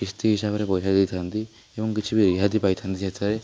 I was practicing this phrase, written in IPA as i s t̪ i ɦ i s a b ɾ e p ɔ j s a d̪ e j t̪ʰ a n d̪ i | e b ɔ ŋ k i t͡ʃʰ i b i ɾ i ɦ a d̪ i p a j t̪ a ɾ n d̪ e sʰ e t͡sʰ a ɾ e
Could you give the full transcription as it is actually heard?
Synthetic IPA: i s t̪ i ɦ i s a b ɾ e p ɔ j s a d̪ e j t̪ʰ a n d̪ i | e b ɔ ŋ k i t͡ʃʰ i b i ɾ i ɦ a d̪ i p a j t̪ʰ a n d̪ i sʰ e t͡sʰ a ɾ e